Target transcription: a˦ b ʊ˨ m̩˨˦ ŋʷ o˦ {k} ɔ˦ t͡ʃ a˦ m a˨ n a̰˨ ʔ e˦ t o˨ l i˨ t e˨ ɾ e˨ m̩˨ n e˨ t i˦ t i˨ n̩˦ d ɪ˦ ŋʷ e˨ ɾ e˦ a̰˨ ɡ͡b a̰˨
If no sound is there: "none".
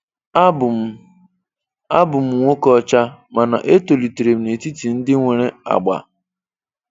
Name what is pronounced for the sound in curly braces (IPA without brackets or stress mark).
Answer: k